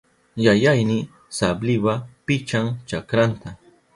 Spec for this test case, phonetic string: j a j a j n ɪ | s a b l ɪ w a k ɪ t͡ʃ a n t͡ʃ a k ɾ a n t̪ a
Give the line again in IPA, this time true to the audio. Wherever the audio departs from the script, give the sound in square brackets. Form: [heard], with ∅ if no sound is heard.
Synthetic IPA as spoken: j a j a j n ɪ | s a b l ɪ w a [p] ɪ t͡ʃ a [ŋ] t͡ʃ a k ɾ a n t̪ a